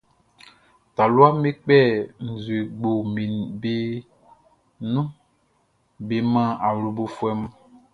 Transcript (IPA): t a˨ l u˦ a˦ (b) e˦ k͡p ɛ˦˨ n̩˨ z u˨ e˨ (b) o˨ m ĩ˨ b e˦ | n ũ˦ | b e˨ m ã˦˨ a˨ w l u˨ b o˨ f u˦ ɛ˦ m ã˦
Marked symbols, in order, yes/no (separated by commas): no, no